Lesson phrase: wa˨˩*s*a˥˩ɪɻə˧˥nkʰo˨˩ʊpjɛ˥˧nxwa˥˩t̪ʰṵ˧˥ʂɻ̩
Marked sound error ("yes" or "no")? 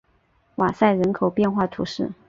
no